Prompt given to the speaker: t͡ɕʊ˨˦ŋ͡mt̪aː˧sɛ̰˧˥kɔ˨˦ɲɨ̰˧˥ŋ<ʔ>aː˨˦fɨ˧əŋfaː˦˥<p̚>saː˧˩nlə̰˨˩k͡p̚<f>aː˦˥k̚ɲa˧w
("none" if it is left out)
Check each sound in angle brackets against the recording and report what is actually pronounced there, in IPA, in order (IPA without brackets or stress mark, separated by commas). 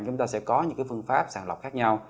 k, p̚, x